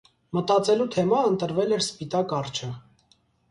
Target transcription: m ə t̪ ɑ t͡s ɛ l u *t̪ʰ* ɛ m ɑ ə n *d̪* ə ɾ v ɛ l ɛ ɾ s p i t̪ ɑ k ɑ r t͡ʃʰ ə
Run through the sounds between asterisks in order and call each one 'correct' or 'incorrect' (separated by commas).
correct, incorrect